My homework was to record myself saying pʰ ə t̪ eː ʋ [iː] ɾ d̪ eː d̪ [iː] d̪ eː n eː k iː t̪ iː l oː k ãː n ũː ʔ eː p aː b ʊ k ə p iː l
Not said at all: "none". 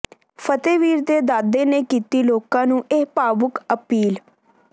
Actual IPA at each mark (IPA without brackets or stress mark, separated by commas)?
iː, aː